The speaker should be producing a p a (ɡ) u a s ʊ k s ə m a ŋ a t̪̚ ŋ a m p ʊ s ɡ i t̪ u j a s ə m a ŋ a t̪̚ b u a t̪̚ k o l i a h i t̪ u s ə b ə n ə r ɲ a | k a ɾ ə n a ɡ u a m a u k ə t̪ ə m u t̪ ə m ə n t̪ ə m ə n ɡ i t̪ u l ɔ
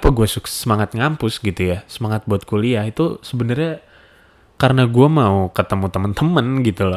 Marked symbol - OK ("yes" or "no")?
yes